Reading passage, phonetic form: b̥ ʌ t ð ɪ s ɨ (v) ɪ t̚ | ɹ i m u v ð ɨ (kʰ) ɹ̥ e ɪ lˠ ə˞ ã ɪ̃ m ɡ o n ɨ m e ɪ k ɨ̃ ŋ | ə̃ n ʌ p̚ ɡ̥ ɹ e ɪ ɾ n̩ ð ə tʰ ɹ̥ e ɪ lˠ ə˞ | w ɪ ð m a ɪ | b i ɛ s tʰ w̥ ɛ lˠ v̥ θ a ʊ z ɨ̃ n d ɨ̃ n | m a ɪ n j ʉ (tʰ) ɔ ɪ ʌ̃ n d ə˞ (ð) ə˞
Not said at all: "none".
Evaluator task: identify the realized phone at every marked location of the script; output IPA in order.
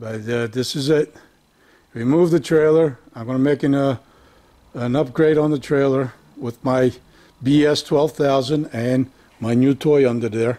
z, tʰ, tʰ, ð

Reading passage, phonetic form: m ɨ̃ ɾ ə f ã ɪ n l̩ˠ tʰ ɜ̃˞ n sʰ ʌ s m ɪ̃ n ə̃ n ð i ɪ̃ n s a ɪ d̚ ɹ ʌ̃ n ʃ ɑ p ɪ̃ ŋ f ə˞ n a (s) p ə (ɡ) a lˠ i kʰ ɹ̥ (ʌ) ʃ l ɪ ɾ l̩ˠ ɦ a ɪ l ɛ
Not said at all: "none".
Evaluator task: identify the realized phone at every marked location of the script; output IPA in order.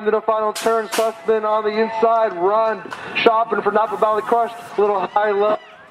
none, b, ʌ

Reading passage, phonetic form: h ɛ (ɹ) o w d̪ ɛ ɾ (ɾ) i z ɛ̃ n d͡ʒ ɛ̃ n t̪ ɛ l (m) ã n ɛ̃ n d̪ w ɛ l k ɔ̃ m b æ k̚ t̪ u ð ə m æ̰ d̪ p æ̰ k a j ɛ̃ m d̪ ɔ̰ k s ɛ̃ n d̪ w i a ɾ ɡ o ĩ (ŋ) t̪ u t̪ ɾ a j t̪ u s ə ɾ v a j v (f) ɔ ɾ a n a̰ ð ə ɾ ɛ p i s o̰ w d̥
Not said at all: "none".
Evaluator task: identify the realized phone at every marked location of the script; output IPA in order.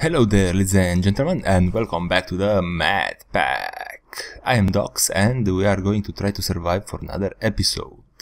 l, l, m, ŋ, f

